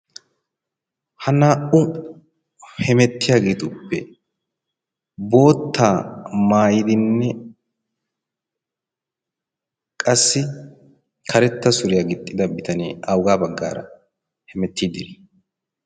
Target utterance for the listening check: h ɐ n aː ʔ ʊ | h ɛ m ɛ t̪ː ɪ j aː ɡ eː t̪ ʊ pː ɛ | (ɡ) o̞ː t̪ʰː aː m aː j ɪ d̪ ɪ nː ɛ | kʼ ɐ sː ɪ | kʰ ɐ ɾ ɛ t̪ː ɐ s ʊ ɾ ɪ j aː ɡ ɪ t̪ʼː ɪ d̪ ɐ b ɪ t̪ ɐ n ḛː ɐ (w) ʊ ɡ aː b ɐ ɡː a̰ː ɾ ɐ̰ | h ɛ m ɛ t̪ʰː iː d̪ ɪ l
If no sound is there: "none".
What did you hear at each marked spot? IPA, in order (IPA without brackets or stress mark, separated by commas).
b, w